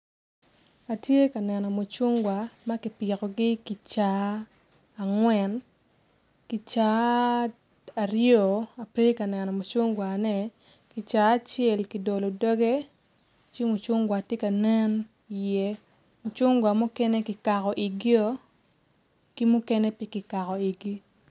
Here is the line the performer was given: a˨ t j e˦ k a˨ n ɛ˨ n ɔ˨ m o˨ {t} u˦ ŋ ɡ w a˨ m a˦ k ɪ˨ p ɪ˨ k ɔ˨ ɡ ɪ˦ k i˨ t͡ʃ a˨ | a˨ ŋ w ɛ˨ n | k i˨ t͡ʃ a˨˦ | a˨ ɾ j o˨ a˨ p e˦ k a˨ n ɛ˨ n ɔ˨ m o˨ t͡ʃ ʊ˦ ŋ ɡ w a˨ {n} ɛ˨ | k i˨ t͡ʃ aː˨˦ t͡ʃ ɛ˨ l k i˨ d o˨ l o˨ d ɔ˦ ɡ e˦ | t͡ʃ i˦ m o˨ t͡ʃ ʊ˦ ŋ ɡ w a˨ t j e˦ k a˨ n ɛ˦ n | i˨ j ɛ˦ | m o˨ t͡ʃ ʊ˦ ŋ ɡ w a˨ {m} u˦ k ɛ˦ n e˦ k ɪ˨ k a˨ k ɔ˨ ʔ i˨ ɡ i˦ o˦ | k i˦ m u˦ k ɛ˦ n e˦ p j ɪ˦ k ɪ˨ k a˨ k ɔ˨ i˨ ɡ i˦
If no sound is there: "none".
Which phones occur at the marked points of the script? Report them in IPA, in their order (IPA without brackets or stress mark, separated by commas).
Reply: t͡ʃ, n, m